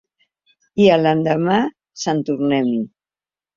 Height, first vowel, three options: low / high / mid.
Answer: high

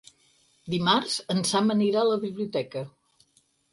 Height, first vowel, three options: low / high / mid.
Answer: high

